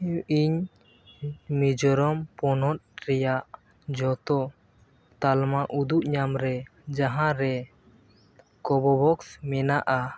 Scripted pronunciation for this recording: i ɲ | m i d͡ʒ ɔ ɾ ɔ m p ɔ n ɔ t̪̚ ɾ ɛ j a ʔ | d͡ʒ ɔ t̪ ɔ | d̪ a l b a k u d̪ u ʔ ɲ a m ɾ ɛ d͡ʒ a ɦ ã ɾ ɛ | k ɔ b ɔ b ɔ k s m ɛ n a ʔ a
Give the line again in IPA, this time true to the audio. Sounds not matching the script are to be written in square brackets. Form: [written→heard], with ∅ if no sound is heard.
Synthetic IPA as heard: i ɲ | m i d͡ʒ ɔ ɾ ɔ m p ɔ n ɔ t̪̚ ɾ ɛ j a ʔ | d͡ʒ ɔ t̪ ɔ | [d̪→t̪] a l [b→m] a [k→ʔ] u d̪ u ʔ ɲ a m ɾ ɛ d͡ʒ a ɦ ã ɾ ɛ | k ɔ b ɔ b ɔ k s m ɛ n a ʔ a

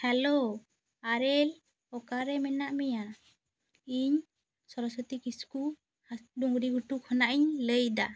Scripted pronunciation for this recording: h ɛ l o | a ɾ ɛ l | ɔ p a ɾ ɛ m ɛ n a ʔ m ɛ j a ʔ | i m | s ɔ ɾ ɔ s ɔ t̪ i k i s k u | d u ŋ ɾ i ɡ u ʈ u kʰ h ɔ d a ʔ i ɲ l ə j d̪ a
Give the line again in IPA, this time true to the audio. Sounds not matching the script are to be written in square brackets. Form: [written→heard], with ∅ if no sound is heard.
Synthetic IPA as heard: h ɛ l o | a ɾ ɛ l | ɔ [p→k] a ɾ ɛ m ɛ n a ʔ m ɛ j a [ʔ→∅] | i [m→ɲ] | s ɔ ɾ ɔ s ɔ t̪ i k i s k u | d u ŋ ɾ i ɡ u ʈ u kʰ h ɔ [d→n] a ʔ i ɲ l ə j d̪ a

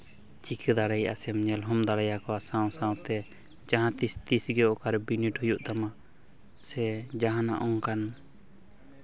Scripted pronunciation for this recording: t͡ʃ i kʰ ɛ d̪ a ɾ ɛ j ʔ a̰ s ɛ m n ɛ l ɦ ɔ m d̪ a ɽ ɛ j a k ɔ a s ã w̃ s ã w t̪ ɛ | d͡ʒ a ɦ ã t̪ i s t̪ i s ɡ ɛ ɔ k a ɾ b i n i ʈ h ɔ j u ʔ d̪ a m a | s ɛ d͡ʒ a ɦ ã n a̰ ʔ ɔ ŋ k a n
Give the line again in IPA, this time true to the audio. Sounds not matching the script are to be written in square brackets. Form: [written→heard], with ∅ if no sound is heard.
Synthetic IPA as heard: t͡ʃ i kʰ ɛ d̪ a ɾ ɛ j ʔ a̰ s ɛ m [n→ɲ] ɛ l ɦ ɔ m d̪ a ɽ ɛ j a k ɔ a s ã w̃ s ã w t̪ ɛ | d͡ʒ a ɦ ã t̪ i s t̪ i s ɡ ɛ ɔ k a ɾ b i n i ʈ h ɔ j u ʔ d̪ a m a | s ɛ d͡ʒ a ɦ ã n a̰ ʔ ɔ ŋ k a n

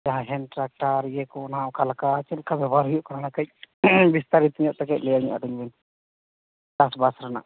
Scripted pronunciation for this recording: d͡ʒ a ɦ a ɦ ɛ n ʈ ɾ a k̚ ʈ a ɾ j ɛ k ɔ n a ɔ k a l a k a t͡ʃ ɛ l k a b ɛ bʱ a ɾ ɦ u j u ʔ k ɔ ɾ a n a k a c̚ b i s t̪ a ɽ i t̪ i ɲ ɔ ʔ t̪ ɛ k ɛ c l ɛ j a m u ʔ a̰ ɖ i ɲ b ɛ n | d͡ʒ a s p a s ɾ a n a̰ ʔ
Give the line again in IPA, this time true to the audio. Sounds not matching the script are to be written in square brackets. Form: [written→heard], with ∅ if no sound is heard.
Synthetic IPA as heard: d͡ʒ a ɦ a ɦ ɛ n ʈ ɾ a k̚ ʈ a ɾ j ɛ k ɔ n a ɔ k a l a k a t͡ʃ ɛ l k a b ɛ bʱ a ɾ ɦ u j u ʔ k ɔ ɾ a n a k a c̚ b i s t̪ a [ɽ→ɾ] i t̪ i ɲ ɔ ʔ t̪ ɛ k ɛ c l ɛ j a [m→ɲ] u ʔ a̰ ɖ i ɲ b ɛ n | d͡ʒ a s [p→b] a s ɾ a n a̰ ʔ

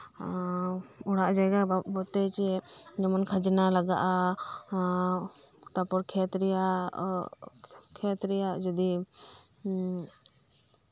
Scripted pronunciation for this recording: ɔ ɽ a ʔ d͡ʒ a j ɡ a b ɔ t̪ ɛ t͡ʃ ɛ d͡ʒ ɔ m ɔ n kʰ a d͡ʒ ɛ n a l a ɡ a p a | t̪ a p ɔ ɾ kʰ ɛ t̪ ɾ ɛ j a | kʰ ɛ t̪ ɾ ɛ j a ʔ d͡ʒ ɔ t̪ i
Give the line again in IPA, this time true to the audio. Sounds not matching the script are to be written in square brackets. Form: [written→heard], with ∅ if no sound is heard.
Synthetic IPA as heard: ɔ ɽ a ʔ d͡ʒ a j ɡ a b ɔ t̪ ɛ t͡ʃ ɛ d͡ʒ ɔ m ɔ n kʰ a d͡ʒ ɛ n a l a ɡ a [p→ʔ] a | t̪ a p ɔ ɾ kʰ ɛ t̪ ɾ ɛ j a | kʰ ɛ t̪ ɾ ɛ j a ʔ d͡ʒ ɔ [t̪→d̪] i

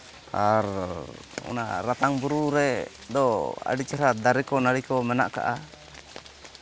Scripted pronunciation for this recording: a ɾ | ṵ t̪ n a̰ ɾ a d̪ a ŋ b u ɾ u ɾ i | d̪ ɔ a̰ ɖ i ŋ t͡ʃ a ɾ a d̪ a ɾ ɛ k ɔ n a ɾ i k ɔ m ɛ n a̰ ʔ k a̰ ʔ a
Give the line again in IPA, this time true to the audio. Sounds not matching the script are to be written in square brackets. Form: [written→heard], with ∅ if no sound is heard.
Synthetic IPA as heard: a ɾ | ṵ [t̪→∅] n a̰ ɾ a [d̪→t̪] a ŋ b u ɾ u ɾ [i→ɛ] | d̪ ɔ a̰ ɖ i [ŋ→∅] t͡ʃ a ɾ a d̪ a ɾ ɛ k ɔ n a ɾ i k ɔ m ɛ n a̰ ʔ k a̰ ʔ a

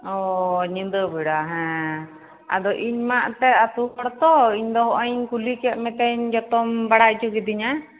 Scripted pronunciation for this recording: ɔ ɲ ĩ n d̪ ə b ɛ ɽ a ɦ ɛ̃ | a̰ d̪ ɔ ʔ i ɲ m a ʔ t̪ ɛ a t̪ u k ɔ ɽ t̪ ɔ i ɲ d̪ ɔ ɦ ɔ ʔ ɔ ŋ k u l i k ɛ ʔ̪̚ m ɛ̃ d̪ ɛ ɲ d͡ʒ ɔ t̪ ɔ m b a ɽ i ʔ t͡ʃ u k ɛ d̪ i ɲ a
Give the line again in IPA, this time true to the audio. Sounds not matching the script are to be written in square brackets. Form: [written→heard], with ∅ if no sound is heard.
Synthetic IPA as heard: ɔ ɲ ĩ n d̪ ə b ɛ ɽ a ɦ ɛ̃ | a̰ d̪ ɔ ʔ i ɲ m a ʔ t̪ ɛ a t̪ u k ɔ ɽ t̪ ɔ i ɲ d̪ ɔ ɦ ɔ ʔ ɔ [ŋ→ɲ] k u l i k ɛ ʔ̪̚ m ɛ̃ [d̪→t̪] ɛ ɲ d͡ʒ ɔ t̪ ɔ m b a ɽ [i→a] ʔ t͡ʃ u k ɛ d̪ i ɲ a

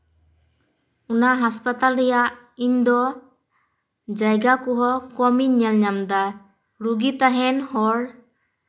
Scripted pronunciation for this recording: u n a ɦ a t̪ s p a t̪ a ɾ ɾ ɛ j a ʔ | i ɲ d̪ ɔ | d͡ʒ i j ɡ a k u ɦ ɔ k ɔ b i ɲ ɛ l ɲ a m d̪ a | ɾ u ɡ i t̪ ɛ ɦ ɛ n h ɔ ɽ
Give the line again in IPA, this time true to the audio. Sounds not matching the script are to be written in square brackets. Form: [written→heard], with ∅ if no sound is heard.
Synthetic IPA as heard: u n a ɦ a [t̪→∅] s p a t̪ a [ɾ→l] ɾ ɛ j a ʔ | i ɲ d̪ ɔ | d͡ʒ [i→a] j ɡ a k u ɦ ɔ k ɔ [b→m] i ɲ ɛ l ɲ a m d̪ a | ɾ u ɡ i t̪ [ɛ→a] ɦ ɛ n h ɔ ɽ

